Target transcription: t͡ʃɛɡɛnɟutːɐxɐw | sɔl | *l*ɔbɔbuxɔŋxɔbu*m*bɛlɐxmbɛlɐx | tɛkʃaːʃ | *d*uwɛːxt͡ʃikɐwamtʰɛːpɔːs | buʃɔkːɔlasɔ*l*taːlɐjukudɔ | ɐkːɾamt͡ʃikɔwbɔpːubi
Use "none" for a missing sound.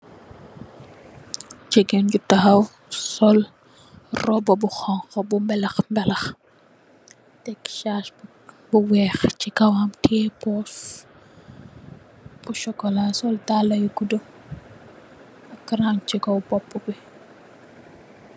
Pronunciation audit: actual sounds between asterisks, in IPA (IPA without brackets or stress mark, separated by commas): r, m, b, l